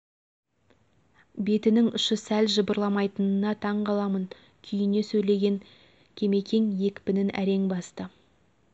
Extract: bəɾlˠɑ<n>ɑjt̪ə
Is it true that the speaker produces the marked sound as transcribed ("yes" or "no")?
no